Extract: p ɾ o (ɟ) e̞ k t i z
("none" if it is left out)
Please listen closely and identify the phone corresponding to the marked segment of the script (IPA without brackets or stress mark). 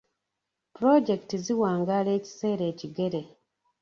ɟ